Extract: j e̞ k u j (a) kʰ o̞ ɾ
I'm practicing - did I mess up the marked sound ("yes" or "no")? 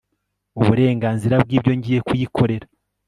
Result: yes